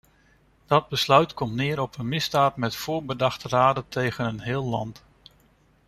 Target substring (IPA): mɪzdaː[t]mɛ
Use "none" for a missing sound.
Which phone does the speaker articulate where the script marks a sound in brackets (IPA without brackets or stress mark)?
t